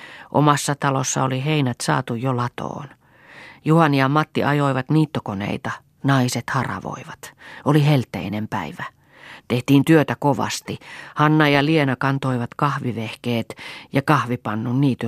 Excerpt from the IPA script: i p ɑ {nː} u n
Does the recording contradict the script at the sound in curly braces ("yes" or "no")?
no